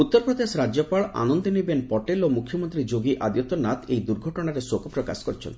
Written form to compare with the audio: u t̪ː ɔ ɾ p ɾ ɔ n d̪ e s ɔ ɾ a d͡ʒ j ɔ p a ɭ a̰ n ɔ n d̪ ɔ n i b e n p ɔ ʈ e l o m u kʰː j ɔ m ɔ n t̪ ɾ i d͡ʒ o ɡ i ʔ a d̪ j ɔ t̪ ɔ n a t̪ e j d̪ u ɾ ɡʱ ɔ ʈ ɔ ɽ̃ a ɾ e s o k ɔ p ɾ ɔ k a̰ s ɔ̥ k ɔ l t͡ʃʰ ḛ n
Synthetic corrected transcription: u t̪ː ɔ ɾ p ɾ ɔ d̪ e s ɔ ɾ a d͡ʒ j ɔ p a ɭ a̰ n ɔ n d̪ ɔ n i b e n p ɔ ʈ e l o m u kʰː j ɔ m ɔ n t̪ ɾ i d͡ʒ o ɡ i ʔ a d̪ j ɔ t̪ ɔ n a t̪ e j d̪ u ɾ ɡʱ ɔ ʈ ɔ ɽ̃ a ɾ e s o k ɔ p ɾ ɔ k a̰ s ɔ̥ k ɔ ɾ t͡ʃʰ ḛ n